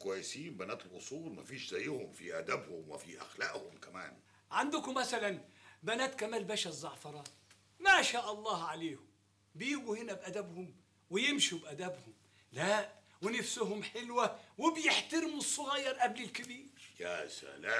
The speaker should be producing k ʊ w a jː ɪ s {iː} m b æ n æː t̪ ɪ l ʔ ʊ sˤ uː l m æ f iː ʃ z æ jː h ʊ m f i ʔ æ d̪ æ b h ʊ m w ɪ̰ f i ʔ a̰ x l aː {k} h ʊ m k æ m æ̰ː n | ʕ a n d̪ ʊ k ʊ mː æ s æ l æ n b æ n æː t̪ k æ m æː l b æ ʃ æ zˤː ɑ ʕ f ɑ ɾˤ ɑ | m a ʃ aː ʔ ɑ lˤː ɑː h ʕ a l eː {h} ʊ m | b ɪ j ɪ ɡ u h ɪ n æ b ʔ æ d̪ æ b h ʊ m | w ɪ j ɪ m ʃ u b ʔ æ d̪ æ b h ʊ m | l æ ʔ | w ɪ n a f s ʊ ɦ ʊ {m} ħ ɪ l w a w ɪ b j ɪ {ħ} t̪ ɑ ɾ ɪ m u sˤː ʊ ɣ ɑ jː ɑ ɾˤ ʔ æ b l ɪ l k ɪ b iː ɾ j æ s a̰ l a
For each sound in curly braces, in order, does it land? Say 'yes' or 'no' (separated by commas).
yes, no, yes, yes, yes